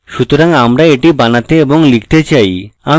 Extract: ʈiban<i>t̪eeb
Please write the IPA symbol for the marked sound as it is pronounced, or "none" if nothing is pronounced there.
a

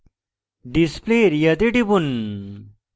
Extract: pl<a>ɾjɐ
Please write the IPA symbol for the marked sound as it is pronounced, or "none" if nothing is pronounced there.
e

